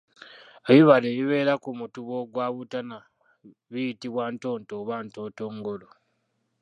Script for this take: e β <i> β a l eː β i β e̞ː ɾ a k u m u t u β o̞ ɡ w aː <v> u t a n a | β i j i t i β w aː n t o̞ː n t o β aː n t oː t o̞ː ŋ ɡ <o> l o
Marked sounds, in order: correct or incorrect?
correct, incorrect, correct

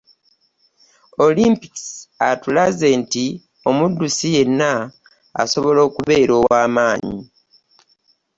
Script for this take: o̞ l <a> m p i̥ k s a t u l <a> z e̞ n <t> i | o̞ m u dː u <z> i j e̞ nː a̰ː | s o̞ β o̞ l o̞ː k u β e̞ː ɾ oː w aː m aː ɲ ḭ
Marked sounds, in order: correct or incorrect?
incorrect, correct, correct, incorrect

